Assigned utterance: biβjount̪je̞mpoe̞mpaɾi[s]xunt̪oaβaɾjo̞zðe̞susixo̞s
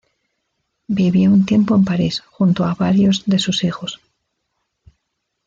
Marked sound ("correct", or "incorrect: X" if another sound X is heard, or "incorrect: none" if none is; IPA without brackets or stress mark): correct